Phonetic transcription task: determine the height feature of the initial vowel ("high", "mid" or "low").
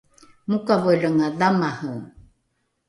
high